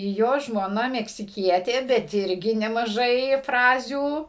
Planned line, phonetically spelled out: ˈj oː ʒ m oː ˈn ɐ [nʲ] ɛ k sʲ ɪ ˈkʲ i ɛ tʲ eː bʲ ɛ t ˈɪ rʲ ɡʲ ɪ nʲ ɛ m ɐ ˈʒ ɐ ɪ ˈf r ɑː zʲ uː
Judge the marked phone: incorrect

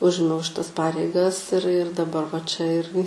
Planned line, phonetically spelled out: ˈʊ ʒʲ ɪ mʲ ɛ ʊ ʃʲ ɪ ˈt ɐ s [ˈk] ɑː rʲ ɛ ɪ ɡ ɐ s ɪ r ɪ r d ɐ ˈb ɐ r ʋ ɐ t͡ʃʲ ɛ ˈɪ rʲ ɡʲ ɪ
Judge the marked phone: incorrect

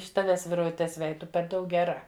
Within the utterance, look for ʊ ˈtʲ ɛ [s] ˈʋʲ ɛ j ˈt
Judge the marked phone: correct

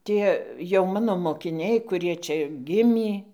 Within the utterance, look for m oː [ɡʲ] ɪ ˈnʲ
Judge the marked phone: incorrect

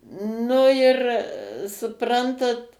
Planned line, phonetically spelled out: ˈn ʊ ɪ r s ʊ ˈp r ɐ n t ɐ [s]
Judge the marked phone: incorrect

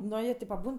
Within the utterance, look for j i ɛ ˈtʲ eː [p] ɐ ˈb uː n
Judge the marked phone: correct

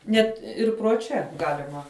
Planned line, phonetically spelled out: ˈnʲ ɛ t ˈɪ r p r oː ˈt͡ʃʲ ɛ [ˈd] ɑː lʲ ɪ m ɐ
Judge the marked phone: incorrect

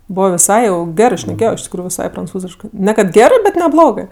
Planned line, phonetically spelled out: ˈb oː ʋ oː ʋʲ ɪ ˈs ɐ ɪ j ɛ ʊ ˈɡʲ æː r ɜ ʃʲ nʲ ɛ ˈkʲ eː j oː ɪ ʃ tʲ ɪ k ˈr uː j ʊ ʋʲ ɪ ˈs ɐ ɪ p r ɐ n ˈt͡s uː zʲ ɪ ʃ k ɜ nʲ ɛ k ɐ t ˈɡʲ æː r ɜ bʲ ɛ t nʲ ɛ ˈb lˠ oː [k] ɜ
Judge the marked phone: incorrect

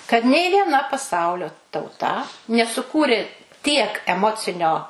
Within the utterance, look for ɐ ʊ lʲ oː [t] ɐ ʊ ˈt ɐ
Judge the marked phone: correct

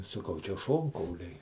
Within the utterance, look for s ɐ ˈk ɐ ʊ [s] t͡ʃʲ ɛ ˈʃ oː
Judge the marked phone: incorrect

